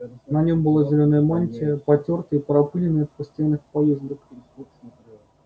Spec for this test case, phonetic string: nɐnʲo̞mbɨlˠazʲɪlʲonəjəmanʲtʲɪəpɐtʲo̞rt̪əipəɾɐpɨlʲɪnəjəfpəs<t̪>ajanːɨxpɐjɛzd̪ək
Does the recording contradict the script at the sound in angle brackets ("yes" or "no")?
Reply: no